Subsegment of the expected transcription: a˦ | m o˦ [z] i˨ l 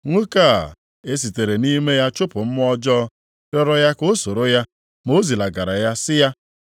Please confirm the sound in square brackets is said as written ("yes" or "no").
yes